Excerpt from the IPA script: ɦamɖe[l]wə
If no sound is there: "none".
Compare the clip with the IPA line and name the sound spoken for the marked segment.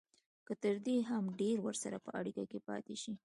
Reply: ɾ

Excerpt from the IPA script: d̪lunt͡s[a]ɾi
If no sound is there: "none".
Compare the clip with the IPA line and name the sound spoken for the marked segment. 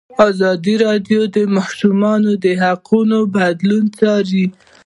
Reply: ɑ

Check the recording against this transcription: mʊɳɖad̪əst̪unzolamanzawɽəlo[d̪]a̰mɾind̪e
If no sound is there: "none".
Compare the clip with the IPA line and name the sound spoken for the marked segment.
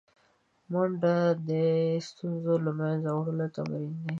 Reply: t̪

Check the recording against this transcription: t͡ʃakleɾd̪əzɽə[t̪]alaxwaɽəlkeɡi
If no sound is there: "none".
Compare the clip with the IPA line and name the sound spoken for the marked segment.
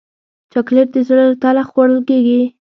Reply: t̪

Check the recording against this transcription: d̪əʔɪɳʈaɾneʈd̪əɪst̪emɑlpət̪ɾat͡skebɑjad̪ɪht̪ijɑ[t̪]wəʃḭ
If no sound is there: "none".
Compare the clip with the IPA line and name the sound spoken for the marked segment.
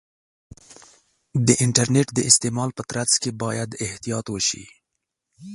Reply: t̪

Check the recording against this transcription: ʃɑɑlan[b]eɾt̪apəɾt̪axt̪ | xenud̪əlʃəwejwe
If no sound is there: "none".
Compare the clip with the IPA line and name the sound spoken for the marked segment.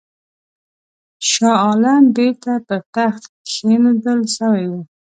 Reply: b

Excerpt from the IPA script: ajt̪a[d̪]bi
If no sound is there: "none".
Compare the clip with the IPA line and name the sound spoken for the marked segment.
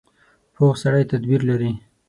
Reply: d̪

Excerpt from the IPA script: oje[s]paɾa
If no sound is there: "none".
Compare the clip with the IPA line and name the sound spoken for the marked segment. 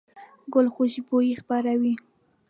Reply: x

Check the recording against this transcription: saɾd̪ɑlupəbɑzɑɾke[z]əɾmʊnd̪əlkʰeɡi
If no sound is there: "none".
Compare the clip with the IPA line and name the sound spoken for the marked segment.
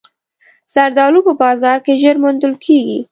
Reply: ʒ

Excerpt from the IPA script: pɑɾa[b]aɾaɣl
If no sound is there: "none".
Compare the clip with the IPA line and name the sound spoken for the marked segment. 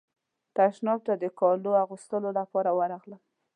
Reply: w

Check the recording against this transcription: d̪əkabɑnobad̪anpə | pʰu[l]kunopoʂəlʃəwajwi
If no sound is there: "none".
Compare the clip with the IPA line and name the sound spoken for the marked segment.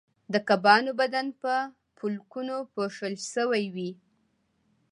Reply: l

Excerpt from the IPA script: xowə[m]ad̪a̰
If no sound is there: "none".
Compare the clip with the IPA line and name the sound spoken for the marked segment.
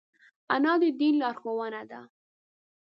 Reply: n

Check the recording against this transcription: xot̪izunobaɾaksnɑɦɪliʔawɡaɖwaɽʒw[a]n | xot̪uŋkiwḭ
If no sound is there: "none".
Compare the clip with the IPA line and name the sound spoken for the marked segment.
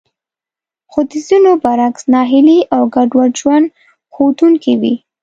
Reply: a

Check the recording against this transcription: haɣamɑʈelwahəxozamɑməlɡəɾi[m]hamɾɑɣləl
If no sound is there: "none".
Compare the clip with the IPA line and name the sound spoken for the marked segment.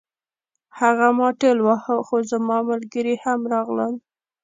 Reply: none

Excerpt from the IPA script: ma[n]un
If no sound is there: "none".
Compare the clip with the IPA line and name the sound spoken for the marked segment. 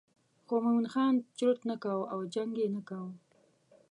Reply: m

